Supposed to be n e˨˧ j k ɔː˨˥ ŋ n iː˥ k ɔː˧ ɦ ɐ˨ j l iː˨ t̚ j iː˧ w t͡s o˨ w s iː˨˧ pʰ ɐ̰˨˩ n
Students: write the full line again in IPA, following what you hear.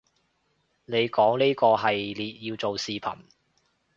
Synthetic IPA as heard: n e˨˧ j k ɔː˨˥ ŋ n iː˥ k ɔː˧ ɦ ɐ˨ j l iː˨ t̚ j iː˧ w t͡s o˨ w s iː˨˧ pʰ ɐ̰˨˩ n